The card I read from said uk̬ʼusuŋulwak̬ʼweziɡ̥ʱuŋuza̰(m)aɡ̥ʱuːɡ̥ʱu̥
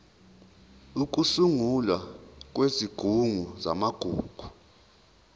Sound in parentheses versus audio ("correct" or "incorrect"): correct